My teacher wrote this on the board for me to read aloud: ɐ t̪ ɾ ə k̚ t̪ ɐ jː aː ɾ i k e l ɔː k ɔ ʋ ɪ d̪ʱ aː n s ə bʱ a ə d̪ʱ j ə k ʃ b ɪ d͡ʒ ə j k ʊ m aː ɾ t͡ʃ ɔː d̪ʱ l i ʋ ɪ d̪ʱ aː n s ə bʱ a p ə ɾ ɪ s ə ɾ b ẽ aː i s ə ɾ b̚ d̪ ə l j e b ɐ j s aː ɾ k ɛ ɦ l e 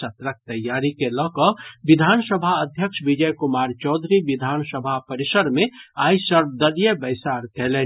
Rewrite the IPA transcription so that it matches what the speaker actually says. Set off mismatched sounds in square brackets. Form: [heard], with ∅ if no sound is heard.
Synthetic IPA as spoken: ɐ t̪ ɾ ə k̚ t̪ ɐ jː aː ɾ i k e l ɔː k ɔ ʋ ɪ d̪ʱ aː n s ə bʱ a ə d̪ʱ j ə k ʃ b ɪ d͡ʒ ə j k ʊ m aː ɾ t͡ʃ ɔː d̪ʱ [ɾ] i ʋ ɪ d̪ʱ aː n s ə bʱ a p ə ɾ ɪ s ə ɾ [m] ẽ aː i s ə ɾ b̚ d̪ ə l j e b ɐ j s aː ɾ k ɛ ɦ l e